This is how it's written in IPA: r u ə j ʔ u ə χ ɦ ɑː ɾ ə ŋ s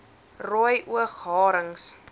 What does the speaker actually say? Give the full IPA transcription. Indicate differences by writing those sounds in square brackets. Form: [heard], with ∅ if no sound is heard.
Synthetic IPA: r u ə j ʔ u ə χ ɦ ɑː ɾ ə ŋ s